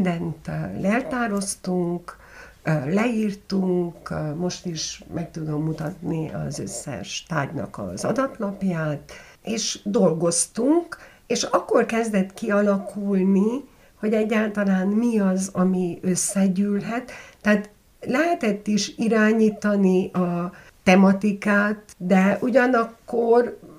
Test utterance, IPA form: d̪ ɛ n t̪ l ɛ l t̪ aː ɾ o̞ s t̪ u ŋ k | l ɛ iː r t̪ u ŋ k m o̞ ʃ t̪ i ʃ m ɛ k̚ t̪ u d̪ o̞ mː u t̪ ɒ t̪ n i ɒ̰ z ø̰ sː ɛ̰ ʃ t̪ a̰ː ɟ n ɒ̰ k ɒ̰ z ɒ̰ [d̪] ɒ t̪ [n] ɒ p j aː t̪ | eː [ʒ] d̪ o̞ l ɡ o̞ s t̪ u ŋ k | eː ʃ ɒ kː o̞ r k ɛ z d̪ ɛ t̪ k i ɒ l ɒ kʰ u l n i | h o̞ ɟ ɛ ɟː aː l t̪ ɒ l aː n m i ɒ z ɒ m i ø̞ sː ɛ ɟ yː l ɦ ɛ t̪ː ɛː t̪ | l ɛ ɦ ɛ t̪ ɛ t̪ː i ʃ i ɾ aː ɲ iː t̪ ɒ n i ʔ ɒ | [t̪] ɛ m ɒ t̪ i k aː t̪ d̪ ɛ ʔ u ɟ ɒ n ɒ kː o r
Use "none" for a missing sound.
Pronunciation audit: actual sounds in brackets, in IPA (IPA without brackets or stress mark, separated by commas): d̪, n, ʃ, t̪